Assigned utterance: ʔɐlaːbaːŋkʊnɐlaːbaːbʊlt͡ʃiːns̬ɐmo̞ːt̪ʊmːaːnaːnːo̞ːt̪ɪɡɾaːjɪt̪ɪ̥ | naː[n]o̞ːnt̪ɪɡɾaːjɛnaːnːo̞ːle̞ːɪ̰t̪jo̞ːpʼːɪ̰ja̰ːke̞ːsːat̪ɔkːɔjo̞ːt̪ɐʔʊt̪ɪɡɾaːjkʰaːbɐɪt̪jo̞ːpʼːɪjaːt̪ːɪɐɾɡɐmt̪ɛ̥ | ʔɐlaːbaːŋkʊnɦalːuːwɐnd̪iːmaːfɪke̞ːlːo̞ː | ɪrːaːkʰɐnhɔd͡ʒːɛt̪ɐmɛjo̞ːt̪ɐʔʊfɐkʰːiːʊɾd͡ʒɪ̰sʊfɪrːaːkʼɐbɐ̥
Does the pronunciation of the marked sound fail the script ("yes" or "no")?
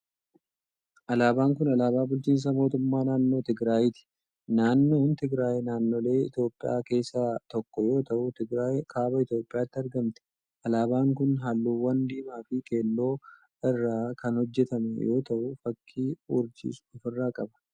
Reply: yes